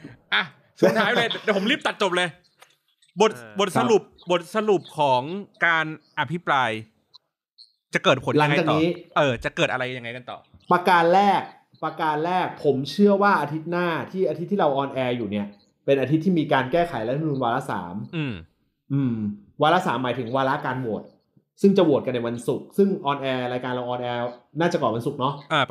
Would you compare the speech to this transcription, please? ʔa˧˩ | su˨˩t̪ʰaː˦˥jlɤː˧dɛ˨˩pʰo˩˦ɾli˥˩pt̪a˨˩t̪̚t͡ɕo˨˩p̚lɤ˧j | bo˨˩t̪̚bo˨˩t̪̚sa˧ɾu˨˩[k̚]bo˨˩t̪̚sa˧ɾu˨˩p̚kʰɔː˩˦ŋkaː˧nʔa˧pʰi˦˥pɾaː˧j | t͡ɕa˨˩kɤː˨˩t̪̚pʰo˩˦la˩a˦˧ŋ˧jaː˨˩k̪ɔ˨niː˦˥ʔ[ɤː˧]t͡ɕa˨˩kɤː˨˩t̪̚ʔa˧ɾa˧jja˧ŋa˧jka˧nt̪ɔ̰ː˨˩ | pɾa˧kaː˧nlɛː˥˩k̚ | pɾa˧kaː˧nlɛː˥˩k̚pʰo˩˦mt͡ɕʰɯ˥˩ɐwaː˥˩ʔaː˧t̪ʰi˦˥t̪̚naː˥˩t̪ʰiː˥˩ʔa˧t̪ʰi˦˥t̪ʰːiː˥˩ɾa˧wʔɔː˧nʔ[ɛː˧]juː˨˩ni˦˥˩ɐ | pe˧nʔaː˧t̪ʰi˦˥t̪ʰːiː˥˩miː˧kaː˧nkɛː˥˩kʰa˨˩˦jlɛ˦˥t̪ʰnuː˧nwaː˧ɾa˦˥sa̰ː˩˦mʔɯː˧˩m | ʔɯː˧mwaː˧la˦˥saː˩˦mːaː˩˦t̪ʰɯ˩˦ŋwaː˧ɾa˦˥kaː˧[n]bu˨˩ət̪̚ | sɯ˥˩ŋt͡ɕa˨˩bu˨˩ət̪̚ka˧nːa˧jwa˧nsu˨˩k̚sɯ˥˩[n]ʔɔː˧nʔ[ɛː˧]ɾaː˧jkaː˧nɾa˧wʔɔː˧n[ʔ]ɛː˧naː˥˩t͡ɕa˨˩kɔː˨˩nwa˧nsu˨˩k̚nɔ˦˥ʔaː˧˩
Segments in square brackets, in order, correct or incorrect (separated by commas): incorrect, correct, correct, correct, incorrect, correct, correct